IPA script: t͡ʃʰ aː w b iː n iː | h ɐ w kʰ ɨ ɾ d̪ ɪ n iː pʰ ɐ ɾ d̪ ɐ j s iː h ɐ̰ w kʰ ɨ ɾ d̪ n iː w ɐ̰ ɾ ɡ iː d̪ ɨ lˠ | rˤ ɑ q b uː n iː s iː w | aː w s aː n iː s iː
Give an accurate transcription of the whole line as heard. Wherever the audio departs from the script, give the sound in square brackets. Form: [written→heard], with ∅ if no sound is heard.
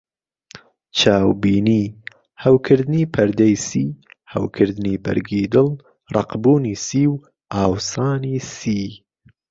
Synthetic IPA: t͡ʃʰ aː w b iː n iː | h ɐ w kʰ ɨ ɾ d̪ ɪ n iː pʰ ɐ ɾ d̪ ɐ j s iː h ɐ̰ w kʰ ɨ ɾ d̪ n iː [w→b] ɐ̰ ɾ ɡ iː d̪ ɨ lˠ | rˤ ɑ q b uː n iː s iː w | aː w s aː n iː s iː